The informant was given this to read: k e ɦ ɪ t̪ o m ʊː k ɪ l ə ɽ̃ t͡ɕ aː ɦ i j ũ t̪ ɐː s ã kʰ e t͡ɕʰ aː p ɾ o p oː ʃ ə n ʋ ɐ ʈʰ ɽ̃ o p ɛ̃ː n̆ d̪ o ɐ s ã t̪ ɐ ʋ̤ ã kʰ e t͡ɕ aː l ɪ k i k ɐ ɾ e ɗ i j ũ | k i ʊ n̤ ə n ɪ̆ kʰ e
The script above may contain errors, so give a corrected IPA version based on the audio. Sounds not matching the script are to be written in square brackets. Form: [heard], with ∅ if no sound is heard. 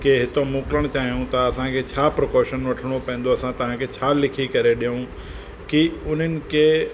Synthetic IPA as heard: k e ɦ ɪ t̪ o m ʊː k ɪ l ə ɽ̃ t͡ɕ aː ɦ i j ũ t̪ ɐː s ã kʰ e t͡ɕʰ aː p ɾ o [k] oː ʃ ə n ʋ ɐ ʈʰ ɽ̃ o p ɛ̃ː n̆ d̪ o ɐ s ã t̪ ɐ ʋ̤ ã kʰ e [t͡ɕʰ] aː l ɪ [kʰ] i k ɐ ɾ e ɗ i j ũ | k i ʊ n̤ ə n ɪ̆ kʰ e